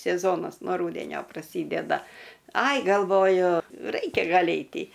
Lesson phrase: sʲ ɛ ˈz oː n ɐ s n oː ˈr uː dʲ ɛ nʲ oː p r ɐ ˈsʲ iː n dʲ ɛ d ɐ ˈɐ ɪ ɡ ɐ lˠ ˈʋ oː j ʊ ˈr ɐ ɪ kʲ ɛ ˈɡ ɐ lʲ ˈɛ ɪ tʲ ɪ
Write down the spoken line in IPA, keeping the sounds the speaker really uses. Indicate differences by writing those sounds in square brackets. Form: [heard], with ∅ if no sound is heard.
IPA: sʲ ɛ ˈz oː n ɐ s n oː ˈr uː dʲ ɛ nʲ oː p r ɐ ˈsʲ iː [∅] dʲ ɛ d ɐ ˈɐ ɪ ɡ ɐ lˠ ˈʋ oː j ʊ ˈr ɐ ɪ kʲ ɛ ˈɡ ɐ lʲ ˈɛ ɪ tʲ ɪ

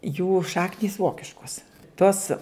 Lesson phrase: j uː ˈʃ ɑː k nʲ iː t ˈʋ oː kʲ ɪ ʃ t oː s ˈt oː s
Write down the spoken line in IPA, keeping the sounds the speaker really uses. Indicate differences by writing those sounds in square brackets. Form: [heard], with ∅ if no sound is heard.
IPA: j uː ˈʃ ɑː k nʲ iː [s] ˈʋ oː kʲ ɪ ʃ [k] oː s ˈt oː s

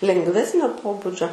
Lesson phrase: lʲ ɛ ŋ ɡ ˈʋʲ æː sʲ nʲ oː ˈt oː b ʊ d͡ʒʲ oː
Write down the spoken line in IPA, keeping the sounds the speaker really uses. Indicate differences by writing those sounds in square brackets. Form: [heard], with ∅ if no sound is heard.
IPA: lʲ ɛ ŋ ɡ ˈʋʲ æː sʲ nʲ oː [ˈp] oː b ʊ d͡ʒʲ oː

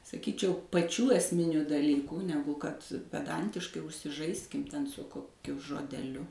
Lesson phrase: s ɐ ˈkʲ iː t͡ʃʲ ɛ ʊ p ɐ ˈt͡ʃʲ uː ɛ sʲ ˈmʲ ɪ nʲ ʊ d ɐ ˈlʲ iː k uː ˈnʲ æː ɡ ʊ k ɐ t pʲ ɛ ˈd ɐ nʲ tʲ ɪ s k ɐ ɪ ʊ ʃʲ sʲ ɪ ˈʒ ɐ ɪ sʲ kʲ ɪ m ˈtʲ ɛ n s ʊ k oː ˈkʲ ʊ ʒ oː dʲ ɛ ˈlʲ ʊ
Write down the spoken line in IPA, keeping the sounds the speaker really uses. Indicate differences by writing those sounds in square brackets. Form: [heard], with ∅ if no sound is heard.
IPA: s ɐ ˈkʲ iː t͡ʃʲ ɛ ʊ p ɐ ˈt͡ʃʲ uː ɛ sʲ ˈmʲ ɪ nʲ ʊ d ɐ ˈlʲ iː k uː ˈnʲ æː ɡ ʊ k ɐ t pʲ ɛ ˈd ɐ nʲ tʲ ɪ [ʃ] k ɐ ɪ ʊ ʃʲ sʲ ɪ ˈʒ ɐ ɪ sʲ kʲ ɪ m ˈtʲ ɛ n s ʊ k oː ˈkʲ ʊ ʒ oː dʲ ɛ ˈlʲ ʊ

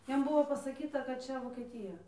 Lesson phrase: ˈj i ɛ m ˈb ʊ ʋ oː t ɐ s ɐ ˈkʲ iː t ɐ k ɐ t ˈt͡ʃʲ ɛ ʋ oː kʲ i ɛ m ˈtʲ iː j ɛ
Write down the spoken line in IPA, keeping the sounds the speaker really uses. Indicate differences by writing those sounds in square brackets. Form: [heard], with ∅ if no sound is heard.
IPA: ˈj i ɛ m ˈb ʊ ʋ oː [p] ɐ s ɐ ˈkʲ iː t ɐ k ɐ t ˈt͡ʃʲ ɛ ʋ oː kʲ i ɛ [∅] ˈtʲ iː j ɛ

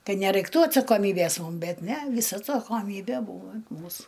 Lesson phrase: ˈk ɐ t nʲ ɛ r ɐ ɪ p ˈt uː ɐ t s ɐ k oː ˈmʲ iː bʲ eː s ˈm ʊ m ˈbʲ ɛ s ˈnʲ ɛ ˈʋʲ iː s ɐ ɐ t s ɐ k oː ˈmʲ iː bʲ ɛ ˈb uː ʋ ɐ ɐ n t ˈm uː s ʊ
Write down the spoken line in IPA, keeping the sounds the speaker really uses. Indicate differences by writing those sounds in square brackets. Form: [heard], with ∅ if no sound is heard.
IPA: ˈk ɐ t nʲ ɛ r ɐ ɪ [k] ˈt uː ɐ t s ɐ k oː ˈmʲ iː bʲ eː s ˈm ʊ m ˈbʲ ɛ [t] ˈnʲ ɛ ˈʋʲ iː s ɐ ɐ t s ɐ k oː ˈmʲ iː bʲ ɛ ˈb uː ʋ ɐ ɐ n t ˈm uː s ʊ

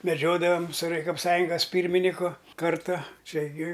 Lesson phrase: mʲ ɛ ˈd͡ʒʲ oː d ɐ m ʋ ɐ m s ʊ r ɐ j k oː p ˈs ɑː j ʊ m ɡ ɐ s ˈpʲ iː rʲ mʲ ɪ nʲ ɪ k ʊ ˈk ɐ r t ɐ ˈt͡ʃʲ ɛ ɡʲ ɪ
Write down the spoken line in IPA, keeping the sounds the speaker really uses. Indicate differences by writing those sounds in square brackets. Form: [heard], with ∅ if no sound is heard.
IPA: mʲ ɛ ˈd͡ʒʲ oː d ɐ [∅] ʋ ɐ m s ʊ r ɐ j k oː p ˈs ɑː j ʊ [ŋ] ɡ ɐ s ˈpʲ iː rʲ mʲ ɪ nʲ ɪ k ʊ ˈk ɐ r t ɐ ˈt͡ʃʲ ɛ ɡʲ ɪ

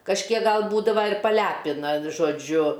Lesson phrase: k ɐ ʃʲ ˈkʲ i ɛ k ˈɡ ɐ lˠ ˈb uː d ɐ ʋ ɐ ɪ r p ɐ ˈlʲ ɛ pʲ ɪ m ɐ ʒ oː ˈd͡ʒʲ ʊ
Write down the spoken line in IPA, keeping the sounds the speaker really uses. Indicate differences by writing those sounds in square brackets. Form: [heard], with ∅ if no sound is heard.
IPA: k ɐ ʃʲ ˈkʲ i ɛ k ˈɡ ɐ lˠ ˈb uː d ɐ ʋ ɐ ɪ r p ɐ ˈlʲ [æ] pʲ ɪ [n] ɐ ʒ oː ˈd͡ʒʲ ʊ

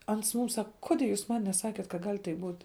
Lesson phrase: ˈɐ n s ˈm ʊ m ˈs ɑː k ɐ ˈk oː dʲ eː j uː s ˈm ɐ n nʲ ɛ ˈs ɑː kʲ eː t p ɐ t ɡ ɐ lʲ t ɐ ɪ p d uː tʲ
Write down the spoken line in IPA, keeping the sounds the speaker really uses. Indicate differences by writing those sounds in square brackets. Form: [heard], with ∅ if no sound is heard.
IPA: ˈɐ n s ˈm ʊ m ˈs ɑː k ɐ ˈk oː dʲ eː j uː s ˈm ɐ n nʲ ɛ ˈs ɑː kʲ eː t [k] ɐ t ɡ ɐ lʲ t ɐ ɪ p [b] uː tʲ

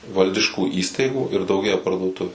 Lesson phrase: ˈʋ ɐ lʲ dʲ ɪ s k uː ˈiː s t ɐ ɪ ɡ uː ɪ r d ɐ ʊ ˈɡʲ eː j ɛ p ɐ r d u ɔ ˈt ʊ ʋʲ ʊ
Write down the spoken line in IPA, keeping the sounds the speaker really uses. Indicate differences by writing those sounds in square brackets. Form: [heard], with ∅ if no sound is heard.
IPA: ˈʋ ɐ lʲ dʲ ɪ [ʃ] k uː ˈiː s t ɐ ɪ ɡ uː ɪ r d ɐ ʊ ˈɡʲ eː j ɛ p ɐ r d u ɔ ˈt ʊ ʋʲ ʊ

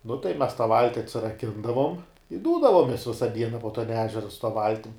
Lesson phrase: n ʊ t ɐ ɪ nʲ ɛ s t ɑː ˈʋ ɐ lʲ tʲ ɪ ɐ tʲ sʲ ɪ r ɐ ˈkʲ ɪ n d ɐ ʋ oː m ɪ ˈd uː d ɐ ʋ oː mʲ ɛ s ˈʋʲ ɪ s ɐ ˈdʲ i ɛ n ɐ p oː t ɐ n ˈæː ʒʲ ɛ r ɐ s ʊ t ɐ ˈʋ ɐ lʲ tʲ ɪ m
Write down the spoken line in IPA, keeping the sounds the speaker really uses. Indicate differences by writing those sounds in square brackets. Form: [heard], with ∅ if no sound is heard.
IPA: n ʊ t ɐ ɪ [mʲ] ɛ s t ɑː ˈʋ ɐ lʲ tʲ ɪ ɐ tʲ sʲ ɪ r ɐ ˈkʲ ɪ n d ɐ ʋ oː m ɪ ˈd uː d ɐ ʋ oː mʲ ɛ s ˈʋʲ ɪ s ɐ ˈdʲ i ɛ n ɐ p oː t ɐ n ˈæː ʒʲ ɛ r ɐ s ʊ t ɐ ˈʋ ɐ lʲ tʲ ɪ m

